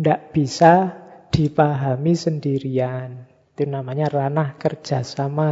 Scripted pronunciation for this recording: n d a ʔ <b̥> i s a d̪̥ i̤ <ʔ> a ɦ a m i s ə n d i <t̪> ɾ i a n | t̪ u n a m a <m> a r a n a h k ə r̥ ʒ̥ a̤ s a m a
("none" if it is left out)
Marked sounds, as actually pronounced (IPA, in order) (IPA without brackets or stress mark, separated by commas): b̥, p, none, ɲ